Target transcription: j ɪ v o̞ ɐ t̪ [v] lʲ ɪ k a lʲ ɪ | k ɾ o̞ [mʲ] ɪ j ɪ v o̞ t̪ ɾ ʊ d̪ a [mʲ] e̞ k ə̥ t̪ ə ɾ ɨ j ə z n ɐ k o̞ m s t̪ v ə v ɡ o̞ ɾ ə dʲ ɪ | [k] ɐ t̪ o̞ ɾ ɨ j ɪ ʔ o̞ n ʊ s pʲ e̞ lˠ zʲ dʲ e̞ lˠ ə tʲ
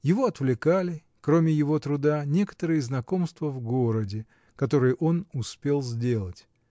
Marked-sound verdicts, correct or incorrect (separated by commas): correct, correct, incorrect, correct